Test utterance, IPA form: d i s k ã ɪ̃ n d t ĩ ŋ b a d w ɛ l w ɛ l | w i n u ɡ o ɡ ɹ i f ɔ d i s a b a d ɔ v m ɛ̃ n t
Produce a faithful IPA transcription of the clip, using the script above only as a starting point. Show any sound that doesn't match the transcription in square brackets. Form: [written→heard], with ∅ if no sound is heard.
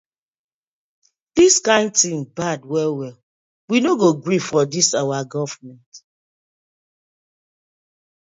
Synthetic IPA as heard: d i s k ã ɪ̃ n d t ĩ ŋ b a d w ɛ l w ɛ l | w i n [u→o] ɡ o ɡ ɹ i f ɔ d i s a [b→w] a [d→ɡ] ɔ v m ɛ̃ n t